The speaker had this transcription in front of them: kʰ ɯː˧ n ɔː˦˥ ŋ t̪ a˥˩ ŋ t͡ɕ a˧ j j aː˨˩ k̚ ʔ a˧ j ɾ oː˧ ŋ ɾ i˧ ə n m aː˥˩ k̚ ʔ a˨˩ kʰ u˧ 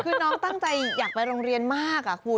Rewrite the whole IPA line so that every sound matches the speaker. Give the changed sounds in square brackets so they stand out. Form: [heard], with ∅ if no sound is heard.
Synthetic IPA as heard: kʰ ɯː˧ n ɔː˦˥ ŋ t̪ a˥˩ ŋ t͡ɕ a˧ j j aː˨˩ k̚ [p] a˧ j ɾ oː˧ ŋ ɾ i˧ ə n m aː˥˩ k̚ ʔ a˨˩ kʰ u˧